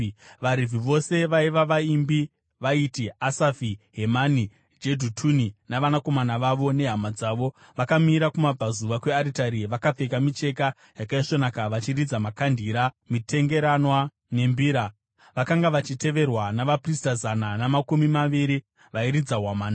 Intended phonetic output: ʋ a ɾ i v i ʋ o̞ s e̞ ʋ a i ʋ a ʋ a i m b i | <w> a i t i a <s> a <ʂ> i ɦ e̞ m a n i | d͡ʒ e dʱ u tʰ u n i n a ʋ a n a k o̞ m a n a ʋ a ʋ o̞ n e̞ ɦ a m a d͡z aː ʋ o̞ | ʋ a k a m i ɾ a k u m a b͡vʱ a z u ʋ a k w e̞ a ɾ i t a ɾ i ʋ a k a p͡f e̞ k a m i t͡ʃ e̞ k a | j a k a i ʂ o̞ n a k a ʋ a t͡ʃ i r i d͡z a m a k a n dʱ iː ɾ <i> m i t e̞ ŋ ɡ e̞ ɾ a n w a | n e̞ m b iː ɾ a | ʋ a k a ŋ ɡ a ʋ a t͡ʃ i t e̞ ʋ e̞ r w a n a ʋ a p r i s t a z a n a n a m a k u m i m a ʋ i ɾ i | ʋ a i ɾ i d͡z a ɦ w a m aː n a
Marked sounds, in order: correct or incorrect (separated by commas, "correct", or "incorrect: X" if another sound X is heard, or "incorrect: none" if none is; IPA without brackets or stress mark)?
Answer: incorrect: ʋ, correct, incorrect: f, incorrect: a